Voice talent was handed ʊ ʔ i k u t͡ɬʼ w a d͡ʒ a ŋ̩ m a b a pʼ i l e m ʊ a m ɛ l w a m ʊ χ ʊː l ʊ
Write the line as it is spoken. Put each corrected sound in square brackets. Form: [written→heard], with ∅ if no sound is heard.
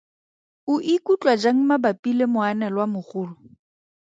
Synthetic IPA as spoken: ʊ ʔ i k u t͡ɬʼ w a d͡ʒ a ŋ̩ m a b a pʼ i l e m ʊ a [m→n] ɛ l w a m ʊ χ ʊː l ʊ